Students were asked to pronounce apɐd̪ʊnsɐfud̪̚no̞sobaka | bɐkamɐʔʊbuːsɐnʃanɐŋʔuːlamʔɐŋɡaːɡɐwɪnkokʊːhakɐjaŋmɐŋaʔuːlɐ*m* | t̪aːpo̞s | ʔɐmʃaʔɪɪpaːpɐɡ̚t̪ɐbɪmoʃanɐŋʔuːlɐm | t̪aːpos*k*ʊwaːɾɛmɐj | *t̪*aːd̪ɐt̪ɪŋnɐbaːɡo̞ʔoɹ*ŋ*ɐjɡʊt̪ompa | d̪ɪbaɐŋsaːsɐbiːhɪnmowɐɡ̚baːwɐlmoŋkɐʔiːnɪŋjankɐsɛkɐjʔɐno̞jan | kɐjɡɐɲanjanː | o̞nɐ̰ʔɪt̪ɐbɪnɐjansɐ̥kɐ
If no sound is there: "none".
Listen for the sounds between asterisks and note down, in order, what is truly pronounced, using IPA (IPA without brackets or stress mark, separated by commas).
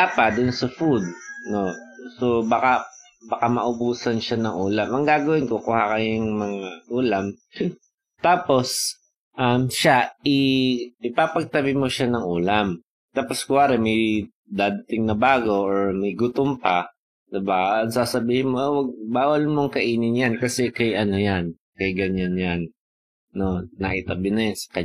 m, k, d̪, m